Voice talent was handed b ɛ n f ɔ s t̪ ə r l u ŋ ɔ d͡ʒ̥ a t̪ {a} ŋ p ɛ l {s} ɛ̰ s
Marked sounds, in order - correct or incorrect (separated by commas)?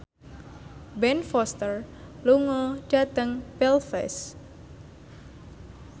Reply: incorrect, incorrect